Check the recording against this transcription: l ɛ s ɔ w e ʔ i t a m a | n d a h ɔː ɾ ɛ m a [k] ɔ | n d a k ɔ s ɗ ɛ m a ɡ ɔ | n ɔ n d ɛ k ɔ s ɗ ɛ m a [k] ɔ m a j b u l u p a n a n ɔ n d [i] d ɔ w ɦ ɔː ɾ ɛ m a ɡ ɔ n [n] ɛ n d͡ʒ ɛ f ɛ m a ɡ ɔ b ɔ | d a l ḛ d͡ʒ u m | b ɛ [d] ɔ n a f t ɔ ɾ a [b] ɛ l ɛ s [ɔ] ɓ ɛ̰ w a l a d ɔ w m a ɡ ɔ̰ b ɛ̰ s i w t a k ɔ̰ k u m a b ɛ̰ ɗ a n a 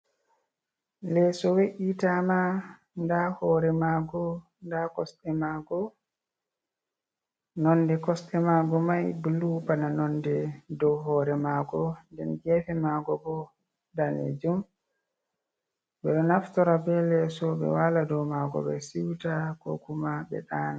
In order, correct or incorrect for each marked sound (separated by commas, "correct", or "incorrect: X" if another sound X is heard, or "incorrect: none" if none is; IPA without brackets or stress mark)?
incorrect: ɡ, incorrect: ɡ, incorrect: ɛ, incorrect: d, incorrect: ɗ, correct, correct